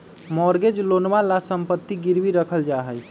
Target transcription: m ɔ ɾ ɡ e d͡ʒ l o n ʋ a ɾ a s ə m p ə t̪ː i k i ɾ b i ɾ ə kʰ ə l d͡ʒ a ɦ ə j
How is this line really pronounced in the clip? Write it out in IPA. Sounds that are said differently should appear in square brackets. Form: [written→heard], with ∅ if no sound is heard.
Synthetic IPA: m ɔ ɾ ɡ e d͡ʒ l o n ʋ a [ɾ→l] a s ə m p ə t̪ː i [k→ɡ] i ɾ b i ɾ ə kʰ ə l d͡ʒ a ɦ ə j